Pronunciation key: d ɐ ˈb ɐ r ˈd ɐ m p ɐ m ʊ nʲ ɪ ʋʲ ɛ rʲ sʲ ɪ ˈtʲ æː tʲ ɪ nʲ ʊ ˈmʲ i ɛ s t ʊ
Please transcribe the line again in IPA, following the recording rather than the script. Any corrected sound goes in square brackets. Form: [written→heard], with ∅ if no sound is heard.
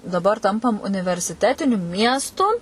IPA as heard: d ɐ ˈb ɐ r [ˈd→ˈt] ɐ m p ɐ m ʊ nʲ ɪ ʋʲ ɛ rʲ sʲ ɪ ˈtʲ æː tʲ ɪ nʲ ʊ ˈmʲ i ɛ s t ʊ